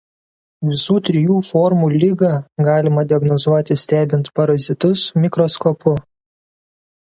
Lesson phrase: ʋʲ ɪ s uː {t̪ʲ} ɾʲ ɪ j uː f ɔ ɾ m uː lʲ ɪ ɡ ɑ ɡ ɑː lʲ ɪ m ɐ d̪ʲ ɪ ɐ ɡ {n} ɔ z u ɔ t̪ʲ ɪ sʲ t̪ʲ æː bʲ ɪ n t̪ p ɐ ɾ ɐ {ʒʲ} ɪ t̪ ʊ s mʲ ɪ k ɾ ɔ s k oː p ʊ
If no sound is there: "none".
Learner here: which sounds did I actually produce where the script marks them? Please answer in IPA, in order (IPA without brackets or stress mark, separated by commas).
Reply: t̪ʲ, n, zʲ